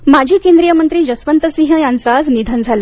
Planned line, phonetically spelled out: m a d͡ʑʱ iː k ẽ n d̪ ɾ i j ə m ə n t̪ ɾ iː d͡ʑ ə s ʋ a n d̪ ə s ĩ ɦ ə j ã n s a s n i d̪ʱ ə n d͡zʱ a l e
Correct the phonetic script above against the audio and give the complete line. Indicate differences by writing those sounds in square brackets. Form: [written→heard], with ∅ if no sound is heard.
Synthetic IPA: m a d͡ʑʱ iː k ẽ n d̪ ɾ i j ə m ə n t̪ ɾ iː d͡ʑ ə s ʋ [a→ə] n [d̪→t̪] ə s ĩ ɦ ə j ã n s a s n i d̪ʱ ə n d͡zʱ a l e